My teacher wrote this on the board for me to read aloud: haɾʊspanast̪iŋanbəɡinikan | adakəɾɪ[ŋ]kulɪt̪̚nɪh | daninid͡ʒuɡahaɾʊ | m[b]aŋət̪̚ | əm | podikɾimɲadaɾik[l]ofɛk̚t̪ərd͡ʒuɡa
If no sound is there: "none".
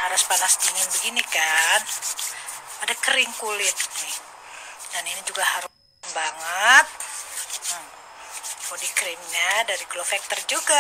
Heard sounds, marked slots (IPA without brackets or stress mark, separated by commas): ŋ, b, l